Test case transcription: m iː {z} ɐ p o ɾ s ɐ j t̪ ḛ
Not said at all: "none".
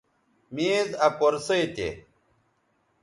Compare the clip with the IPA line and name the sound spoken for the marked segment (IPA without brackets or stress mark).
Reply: z